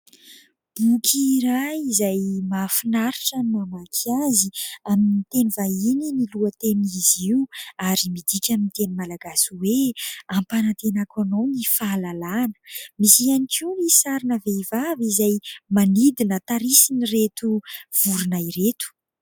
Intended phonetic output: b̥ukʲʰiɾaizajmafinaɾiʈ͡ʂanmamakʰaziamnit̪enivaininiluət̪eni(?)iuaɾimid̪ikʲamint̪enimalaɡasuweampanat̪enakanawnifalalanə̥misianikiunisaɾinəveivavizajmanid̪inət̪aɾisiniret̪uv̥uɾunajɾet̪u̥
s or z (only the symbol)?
z